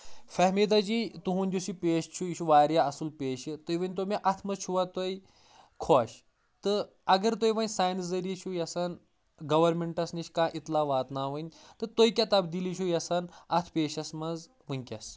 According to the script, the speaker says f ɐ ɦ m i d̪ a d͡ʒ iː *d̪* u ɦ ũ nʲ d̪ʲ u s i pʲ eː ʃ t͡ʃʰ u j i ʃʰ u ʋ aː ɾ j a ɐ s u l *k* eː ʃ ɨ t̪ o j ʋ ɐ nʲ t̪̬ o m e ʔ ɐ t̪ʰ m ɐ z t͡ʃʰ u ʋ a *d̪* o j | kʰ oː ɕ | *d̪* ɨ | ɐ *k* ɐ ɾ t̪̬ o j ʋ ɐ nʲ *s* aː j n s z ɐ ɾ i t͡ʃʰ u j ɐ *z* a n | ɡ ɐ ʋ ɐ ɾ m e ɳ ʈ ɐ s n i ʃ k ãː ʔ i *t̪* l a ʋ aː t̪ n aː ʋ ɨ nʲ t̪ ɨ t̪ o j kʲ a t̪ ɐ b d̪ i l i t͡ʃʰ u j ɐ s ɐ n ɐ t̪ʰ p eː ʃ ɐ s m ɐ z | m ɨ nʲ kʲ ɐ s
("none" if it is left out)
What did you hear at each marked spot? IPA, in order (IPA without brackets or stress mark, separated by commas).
t̪, p, t̪, t̪, ɡ, s, s, t̪